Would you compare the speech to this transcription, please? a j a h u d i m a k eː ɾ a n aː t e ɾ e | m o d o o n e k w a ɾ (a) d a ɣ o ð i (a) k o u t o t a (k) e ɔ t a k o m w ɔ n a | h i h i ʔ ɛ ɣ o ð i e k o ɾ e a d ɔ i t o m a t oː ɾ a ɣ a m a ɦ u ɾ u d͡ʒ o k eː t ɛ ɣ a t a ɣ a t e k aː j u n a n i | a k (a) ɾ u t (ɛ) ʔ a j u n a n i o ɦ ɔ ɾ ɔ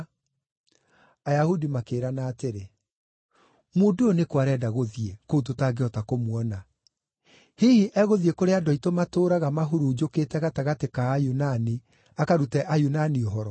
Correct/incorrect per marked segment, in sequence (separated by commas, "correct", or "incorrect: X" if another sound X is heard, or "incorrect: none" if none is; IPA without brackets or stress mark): incorrect: ɛ, incorrect: e, incorrect: ɡ, correct, correct